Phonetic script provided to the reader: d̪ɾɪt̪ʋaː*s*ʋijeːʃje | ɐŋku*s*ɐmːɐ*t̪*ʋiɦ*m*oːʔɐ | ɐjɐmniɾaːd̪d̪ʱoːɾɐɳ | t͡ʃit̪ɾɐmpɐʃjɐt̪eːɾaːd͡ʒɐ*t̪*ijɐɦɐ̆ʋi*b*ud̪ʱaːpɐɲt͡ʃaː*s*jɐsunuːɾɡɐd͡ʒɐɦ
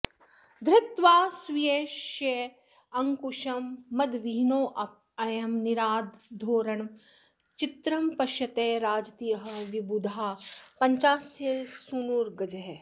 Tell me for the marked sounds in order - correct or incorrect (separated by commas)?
correct, incorrect, incorrect, incorrect, correct, correct, correct